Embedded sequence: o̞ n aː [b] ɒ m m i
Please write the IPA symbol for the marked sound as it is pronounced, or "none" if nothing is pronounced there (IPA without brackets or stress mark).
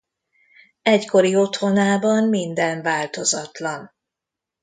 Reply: b